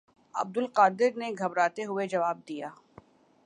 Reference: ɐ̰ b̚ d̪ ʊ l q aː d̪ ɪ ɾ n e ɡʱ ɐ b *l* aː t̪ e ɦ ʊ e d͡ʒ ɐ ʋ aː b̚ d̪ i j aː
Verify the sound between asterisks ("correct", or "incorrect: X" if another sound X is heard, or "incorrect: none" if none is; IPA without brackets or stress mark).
incorrect: ɾ